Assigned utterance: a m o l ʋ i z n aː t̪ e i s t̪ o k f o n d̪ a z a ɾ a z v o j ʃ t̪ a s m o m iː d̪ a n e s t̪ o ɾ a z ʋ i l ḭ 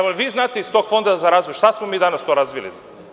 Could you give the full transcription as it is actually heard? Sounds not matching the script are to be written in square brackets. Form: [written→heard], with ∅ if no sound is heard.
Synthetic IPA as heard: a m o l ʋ i z n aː t̪ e i s t̪ o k f o n d̪ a z a ɾ a z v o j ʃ t̪ a s m o m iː d̪ a n [e→a] s t̪ o ɾ a z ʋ i l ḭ